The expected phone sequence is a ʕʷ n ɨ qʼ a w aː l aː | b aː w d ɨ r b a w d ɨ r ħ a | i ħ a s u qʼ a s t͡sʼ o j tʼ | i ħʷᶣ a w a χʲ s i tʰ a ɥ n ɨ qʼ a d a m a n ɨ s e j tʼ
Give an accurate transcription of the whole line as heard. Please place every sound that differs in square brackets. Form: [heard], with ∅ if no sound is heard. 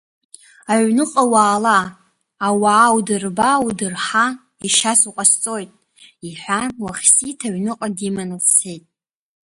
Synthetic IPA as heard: a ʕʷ n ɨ qʼ a w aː l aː | [w] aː w d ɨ r b a w d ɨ r ħ a | i [ʃ] a s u qʼ a s t͡sʼ o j tʼ | i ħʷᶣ a w a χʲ s i tʰ a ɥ n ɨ qʼ a d [i] m a n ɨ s e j tʼ

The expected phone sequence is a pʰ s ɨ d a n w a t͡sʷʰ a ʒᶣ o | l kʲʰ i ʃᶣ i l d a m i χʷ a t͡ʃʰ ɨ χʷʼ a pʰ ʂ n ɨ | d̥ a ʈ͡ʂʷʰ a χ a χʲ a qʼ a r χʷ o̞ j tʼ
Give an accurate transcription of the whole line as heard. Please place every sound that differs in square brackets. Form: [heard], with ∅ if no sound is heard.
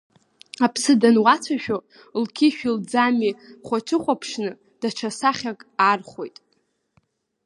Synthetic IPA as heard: a pʰ s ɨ d a n w a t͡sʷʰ a [ʃᶣ] o | l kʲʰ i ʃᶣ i l [d͡z] a m i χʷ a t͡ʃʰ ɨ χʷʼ a pʰ ʂ n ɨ | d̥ a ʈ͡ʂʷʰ a [s] a χʲ a [kʼ] a r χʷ o̞ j tʼ

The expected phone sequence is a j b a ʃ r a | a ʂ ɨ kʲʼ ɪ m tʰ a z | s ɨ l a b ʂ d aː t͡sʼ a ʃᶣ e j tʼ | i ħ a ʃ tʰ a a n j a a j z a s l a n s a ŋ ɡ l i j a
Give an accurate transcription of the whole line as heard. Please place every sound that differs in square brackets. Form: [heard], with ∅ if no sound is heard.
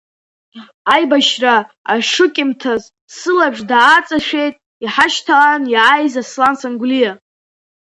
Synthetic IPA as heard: a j b a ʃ r a | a ʂ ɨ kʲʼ ɪ m tʰ a z | s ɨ l a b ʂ d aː t͡sʼ a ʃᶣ e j tʼ | i ħ a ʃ tʰ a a n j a a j z a s l a n s a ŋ ɡ l i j a

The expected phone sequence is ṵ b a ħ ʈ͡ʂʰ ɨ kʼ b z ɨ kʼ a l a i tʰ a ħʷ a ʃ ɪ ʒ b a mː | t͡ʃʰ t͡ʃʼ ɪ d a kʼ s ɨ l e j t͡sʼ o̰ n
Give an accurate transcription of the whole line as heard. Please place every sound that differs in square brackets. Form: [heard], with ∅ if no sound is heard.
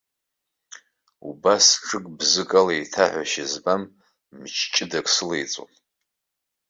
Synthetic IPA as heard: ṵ b a [s] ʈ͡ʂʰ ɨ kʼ b z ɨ kʼ a l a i tʰ a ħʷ a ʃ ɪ [z] b a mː | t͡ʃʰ t͡ʃʼ ɪ d a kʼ s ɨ l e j t͡sʼ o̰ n

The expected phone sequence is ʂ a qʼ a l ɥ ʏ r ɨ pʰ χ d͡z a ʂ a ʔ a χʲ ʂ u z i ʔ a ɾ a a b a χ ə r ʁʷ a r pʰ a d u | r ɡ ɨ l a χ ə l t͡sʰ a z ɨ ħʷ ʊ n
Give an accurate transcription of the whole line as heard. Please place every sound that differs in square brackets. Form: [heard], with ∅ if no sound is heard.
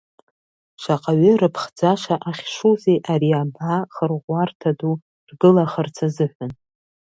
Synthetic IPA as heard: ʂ a qʼ a [∅] ɥ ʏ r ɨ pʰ χ d͡z a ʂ a ʔ a χʲ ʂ u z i ʔ a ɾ [i] a b a χ ə r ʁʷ a r [tʰ] a d u | r ɡ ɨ l a χ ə [r] t͡sʰ a z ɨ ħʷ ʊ n

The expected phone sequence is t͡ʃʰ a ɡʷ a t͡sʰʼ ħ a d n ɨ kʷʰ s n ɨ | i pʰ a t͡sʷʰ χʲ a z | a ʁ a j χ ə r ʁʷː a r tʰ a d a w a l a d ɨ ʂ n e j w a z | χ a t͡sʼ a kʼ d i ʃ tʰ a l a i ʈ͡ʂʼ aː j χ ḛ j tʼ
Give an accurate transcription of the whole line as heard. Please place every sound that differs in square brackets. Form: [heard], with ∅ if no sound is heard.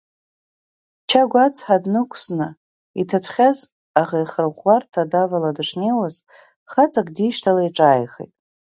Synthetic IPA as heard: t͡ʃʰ a ɡʷ a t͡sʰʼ ħ a d n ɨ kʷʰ s n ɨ | i [tʰ] a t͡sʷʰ χʲ a z | a ʁ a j χ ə r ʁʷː a r tʰ a d a [v] a l a d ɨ ʂ n e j w a z | χ a t͡sʼ a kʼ d i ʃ tʰ a l a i ʈ͡ʂʼ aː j χ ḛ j tʼ

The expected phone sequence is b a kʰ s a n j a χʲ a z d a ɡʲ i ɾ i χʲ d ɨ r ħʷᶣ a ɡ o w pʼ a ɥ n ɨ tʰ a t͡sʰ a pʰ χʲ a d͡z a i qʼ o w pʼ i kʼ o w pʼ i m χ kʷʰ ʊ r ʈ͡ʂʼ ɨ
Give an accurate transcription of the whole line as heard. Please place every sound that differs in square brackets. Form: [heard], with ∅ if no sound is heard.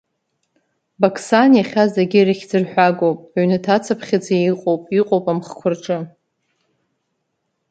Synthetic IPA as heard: b a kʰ s a n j a χʲ a z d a ɡʲ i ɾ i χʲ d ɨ r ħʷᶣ a ɡ o w pʼ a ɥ n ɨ tʰ a t͡sʰ a pʰ χʲ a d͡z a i qʼ o w pʼ i [qʼ] o w pʼ [a] m χ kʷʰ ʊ r ʈ͡ʂʼ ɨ

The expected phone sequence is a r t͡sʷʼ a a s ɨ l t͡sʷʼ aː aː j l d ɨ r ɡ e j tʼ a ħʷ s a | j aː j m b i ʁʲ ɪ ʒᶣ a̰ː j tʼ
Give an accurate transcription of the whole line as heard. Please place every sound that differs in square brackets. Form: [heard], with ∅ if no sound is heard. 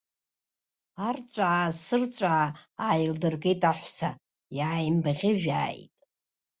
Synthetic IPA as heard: a r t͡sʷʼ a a s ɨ [r] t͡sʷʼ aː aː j l d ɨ r ɡ e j tʼ a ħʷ s a | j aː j m b [a] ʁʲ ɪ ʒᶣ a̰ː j tʼ

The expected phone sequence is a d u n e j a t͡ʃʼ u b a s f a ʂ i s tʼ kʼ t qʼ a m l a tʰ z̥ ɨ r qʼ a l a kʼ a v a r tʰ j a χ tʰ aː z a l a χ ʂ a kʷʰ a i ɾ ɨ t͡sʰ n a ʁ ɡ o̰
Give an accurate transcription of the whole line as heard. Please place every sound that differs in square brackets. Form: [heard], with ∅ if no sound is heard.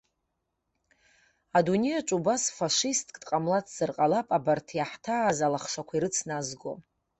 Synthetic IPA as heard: a d u n e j a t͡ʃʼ u b a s f a ʂ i s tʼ kʼ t qʼ a m l a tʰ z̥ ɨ r qʼ a l a [pʼ] a [b] a r tʰ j a [ħ] tʰ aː z a l a χ ʂ a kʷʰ a i ɾ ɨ t͡sʰ n a [z] ɡ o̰

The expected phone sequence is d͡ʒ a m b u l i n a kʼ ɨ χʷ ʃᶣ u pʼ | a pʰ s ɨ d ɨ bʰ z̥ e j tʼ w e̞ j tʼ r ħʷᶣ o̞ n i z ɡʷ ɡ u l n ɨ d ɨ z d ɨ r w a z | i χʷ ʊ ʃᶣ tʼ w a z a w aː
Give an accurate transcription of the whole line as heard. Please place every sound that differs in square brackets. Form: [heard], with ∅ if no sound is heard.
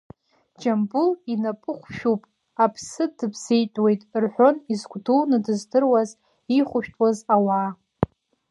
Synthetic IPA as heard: d͡ʒ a m b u l i n a [pʼ] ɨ χʷ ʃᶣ u pʼ | a pʰ s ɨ d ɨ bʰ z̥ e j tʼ w e̞ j tʼ r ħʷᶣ o̞ n i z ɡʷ [d] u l n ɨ d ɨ z d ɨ r w a z | i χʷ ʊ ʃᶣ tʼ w a z a w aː

